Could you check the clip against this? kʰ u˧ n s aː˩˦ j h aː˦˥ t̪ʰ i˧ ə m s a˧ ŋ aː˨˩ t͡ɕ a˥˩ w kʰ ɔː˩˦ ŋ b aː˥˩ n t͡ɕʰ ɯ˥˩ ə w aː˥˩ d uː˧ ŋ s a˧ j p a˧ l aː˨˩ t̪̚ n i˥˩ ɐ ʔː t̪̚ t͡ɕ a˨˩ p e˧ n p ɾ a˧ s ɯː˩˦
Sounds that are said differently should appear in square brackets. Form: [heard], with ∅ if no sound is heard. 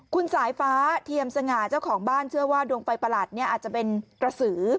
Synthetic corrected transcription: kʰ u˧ n s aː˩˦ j [f] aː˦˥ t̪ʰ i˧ ə m s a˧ ŋ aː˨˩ t͡ɕ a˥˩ w kʰ ɔː˩˦ ŋ b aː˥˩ n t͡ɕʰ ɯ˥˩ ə w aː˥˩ d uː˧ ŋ [f] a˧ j p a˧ l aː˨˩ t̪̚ n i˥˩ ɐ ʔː t̪̚ t͡ɕ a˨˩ p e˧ n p ɾ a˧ s ɯː˩˦